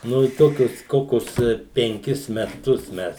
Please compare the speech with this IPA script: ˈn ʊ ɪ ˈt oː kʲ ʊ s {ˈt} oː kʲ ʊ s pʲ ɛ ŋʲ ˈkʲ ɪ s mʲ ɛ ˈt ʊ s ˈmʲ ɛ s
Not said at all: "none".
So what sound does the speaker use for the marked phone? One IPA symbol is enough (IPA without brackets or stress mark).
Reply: k